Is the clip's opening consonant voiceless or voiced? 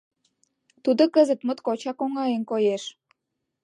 voiceless